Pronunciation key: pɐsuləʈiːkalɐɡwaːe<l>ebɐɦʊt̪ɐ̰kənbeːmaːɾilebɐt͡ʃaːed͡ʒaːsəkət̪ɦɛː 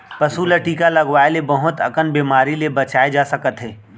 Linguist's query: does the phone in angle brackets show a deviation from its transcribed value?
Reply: no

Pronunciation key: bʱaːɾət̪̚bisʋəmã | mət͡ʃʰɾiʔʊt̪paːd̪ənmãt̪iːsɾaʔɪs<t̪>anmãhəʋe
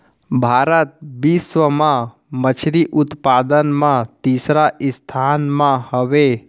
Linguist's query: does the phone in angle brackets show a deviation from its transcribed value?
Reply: yes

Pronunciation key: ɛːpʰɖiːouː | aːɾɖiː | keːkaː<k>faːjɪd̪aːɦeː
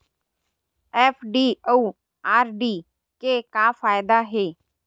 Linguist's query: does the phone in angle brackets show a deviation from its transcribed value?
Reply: yes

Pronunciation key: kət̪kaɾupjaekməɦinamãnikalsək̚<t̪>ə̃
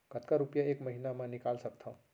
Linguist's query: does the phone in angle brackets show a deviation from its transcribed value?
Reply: yes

